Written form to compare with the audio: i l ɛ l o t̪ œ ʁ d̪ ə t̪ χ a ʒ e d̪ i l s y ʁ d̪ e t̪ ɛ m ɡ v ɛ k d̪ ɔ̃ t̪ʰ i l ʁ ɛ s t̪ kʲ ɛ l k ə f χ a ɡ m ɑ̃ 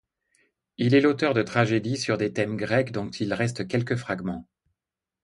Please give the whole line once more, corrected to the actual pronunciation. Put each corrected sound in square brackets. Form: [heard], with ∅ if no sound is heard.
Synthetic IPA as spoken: i l ɛ l o t̪ œ ʁ d̪ ə t̪ χ a ʒ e d̪ i [∅] s y ʁ d̪ e t̪ ɛ m ɡ [ʁ] ɛ k d̪ ɔ̃ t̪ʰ i l ʁ ɛ s t̪ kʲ ɛ l k ə f χ a ɡ m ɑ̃